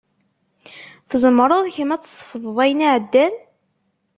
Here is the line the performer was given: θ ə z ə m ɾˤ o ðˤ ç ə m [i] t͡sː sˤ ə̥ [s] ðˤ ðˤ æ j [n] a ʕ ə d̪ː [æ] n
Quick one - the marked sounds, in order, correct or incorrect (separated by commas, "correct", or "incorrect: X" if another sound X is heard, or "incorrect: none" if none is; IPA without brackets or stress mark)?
incorrect: æ, incorrect: f, correct, correct